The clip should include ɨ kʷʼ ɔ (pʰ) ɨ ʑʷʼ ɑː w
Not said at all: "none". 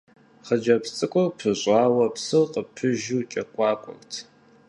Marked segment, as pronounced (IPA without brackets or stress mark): pʰ